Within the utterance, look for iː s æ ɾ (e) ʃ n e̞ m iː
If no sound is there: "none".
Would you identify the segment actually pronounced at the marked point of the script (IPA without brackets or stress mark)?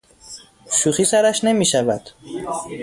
æ